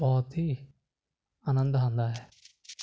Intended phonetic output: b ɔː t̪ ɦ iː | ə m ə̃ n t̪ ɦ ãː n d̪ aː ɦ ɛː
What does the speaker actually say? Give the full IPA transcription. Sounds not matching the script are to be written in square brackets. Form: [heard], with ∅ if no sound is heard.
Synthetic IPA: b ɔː t̪ ɦ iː | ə [n] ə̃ n [d̪] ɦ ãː n d̪ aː ɦ ɛː